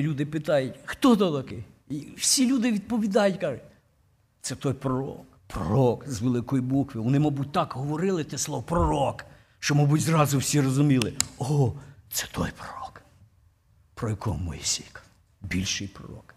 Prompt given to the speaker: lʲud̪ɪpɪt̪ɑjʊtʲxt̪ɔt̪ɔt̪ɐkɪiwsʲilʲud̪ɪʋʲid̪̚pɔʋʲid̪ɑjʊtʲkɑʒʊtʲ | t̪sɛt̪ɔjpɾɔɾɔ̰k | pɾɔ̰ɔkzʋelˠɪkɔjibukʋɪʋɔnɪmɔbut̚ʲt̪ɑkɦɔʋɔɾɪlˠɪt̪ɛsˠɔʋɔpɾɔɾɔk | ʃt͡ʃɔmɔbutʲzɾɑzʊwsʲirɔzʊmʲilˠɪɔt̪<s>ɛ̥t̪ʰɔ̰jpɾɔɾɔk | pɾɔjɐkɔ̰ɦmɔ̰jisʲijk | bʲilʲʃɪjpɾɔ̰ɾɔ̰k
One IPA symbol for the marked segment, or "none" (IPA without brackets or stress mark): s